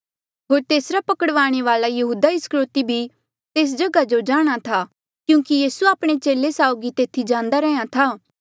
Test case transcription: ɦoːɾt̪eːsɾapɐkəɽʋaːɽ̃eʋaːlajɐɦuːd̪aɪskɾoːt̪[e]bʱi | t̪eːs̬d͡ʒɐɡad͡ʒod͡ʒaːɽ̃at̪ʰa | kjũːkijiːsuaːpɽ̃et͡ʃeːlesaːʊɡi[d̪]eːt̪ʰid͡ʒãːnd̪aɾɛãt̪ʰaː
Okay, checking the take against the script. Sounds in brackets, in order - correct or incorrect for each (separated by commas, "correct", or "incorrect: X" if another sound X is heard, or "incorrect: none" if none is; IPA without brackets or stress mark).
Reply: incorrect: i, incorrect: t̪